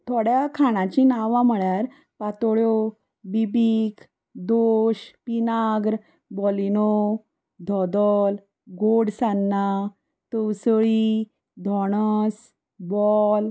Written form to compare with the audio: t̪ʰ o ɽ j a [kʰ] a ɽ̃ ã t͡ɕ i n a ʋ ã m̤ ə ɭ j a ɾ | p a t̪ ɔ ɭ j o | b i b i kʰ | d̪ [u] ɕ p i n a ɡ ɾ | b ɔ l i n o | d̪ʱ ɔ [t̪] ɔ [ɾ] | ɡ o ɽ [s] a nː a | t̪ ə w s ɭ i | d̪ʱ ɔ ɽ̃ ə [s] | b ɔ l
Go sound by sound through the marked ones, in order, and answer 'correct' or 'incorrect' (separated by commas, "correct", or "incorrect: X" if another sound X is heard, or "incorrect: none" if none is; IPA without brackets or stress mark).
correct, incorrect: o, incorrect: d̪, incorrect: l, correct, correct